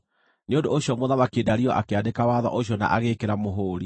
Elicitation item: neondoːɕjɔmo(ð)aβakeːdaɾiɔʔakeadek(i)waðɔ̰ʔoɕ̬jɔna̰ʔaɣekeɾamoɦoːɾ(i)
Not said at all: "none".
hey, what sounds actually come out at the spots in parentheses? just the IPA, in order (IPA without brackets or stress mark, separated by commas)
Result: ð, a, i